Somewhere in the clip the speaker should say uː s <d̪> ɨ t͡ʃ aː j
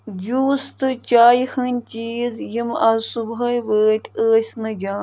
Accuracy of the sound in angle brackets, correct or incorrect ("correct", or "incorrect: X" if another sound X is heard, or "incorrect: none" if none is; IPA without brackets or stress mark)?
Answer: incorrect: t̪